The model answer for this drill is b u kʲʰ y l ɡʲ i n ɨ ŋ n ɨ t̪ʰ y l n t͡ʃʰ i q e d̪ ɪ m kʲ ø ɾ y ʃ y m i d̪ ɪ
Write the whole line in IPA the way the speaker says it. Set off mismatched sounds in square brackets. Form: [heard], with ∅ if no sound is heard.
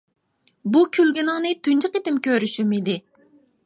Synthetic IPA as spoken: b u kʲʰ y l ɡʲ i n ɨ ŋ n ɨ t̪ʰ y [∅] n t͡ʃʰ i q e [t̪] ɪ m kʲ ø ɾ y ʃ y m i d̪ ɪ

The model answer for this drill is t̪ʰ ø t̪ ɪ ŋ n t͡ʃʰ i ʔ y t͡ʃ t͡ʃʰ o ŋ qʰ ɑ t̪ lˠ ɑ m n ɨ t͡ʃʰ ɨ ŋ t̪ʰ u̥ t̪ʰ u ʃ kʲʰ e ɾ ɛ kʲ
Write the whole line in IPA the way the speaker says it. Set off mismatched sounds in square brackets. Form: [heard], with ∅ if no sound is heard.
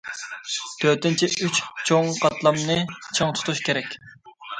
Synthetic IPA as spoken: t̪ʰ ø t̪ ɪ [∅] n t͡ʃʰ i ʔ y t͡ʃ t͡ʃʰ o ŋ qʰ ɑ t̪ lˠ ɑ m n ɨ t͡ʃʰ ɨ ŋ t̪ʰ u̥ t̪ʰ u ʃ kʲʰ e ɾ ɛ kʲ

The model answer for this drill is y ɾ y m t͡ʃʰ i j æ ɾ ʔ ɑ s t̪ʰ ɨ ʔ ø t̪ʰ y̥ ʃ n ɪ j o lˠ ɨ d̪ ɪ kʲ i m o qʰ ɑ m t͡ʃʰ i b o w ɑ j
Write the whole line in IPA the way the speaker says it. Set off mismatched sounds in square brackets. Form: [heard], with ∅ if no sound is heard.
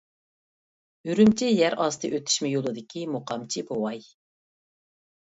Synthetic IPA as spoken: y ɾ y m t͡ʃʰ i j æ ɾ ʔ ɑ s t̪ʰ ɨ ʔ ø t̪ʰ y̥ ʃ [m] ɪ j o lˠ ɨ d̪ ɪ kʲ i m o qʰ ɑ m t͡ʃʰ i b o w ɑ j

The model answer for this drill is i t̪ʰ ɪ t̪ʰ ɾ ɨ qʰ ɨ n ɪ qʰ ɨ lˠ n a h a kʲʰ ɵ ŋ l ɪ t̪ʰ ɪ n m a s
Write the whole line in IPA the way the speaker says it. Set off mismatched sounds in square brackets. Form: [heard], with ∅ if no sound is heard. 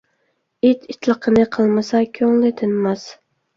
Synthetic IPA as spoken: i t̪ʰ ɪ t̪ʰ [l] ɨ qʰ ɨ n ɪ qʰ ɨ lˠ [m] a [s] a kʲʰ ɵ ŋ l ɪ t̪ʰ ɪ n m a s

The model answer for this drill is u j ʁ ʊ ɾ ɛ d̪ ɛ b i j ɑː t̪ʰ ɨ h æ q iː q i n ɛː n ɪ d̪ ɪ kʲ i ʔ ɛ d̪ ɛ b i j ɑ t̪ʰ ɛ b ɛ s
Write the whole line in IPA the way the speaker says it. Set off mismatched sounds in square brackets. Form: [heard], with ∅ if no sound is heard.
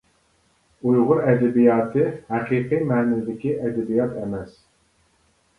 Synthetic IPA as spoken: u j ʁ ʊ ɾ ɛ d̪ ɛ b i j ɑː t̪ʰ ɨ h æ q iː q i [m] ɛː n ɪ d̪ ɪ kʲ i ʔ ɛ d̪ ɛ b i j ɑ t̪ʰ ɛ [m] ɛ s

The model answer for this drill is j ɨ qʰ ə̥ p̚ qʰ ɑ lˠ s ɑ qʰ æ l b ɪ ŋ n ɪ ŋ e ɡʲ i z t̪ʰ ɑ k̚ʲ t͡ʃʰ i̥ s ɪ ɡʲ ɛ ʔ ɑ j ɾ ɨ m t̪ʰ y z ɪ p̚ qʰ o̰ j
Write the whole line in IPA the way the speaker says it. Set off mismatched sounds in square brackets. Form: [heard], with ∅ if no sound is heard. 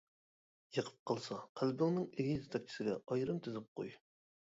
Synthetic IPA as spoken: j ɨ qʰ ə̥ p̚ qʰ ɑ lˠ s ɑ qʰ æ l b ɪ ŋ n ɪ ŋ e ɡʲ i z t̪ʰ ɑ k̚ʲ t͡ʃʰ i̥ s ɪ ɡʲ ɛ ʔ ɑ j ɾ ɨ m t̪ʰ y z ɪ p̚ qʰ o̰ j

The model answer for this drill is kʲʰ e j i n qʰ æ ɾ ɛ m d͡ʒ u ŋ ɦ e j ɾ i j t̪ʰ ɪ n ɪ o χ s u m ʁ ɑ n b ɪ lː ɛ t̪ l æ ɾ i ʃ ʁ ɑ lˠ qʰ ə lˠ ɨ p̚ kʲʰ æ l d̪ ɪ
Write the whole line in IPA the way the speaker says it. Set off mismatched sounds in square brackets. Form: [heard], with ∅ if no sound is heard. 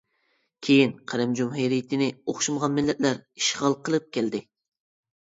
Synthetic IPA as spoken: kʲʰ e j i n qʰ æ ɾ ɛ m d͡ʒ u [m] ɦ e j ɾ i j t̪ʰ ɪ n ɪ o χ [ʃ] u m ʁ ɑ n [m] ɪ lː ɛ t̪ l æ ɾ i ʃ ʁ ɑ lˠ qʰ ə lˠ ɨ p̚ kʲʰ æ l d̪ ɪ

